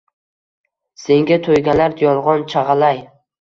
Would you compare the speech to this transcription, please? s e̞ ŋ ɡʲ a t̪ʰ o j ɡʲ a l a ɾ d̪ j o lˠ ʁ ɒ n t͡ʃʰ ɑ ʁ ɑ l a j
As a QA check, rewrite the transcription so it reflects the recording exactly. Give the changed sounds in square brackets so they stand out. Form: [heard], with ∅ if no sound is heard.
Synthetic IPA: s e̞ ŋ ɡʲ a t̪ʰ o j ɡʲ a l a ɾ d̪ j [ɒ] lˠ ʁ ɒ n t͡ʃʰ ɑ ʁ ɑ l a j